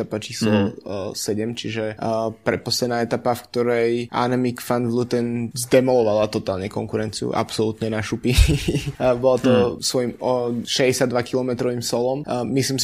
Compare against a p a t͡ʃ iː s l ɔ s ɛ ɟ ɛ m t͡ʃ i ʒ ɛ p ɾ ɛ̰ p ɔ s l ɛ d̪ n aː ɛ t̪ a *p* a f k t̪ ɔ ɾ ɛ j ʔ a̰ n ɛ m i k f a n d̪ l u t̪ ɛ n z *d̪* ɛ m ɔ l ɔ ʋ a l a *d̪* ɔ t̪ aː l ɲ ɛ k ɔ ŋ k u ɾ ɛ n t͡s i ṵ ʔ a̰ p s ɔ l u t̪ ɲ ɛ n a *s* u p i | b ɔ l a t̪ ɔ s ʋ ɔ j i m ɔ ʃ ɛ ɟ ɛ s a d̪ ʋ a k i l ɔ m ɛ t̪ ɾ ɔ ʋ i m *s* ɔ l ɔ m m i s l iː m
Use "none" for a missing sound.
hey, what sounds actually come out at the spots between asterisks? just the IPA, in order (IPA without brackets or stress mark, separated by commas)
p, d̪, t̪, ʃ, s